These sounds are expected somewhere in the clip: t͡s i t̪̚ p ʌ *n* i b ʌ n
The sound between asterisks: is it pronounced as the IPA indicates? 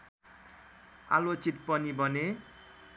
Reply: yes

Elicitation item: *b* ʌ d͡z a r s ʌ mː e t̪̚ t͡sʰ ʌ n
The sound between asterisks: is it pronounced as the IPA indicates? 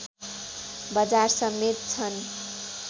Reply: yes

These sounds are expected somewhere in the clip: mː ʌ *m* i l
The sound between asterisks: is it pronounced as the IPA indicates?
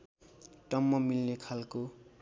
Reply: yes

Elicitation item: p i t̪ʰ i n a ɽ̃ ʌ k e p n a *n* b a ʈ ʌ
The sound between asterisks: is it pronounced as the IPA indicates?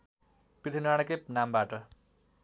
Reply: no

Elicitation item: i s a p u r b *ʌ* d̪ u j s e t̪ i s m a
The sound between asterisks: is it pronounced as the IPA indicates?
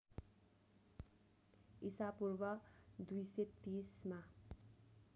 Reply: yes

